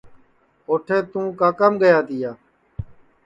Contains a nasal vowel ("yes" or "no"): yes